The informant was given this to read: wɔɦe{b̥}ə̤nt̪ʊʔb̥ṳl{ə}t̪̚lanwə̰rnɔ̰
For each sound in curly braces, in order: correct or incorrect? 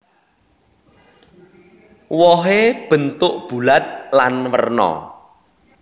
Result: correct, incorrect: a

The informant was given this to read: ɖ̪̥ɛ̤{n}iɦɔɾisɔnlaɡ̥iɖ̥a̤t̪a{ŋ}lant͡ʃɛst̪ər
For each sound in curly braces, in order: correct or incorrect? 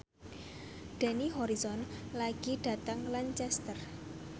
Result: correct, correct

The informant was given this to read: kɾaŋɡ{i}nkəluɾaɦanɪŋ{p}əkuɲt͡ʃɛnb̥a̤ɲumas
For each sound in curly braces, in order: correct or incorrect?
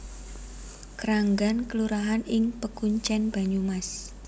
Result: incorrect: a, correct

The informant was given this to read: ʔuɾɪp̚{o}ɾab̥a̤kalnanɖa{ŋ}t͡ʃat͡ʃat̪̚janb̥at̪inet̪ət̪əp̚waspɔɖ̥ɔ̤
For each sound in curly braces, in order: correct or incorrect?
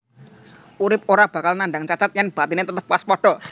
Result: correct, correct

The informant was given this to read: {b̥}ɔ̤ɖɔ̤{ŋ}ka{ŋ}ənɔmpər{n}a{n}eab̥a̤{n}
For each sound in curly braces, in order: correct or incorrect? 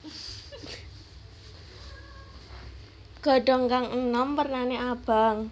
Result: incorrect: ɡ̥, correct, correct, correct, correct, incorrect: ŋ

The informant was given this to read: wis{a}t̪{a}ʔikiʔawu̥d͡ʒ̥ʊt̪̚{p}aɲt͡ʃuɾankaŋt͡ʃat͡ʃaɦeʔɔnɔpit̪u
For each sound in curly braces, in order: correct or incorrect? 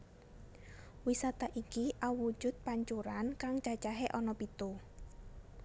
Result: correct, correct, correct

